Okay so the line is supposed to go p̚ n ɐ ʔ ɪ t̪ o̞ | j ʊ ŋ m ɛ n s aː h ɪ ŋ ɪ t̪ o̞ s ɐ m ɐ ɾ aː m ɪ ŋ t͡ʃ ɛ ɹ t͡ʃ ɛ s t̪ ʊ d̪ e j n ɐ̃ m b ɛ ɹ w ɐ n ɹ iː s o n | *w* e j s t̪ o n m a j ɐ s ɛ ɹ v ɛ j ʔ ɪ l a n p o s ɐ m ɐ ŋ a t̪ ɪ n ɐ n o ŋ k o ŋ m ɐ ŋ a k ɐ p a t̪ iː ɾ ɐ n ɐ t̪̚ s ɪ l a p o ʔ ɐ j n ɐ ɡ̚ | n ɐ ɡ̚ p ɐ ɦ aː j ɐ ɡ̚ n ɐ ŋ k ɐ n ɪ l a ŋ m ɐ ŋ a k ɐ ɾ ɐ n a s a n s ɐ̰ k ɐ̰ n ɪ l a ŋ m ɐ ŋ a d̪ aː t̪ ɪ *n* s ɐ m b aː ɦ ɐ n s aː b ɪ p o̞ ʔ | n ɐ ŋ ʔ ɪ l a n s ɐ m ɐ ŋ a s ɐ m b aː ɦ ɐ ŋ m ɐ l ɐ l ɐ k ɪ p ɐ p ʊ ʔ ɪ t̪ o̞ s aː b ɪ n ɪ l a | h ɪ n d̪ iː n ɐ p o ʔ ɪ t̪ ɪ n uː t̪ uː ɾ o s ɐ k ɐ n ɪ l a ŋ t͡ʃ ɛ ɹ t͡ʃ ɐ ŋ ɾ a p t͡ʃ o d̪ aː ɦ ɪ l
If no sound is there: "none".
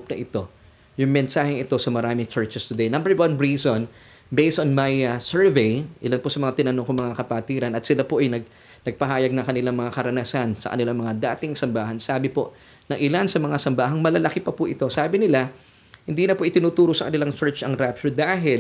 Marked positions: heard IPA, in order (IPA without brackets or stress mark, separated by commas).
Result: b, ŋ